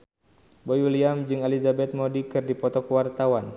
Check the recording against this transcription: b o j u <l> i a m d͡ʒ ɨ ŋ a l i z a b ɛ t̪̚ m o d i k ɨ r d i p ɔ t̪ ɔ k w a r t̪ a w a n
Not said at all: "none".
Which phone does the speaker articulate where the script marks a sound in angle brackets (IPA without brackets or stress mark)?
l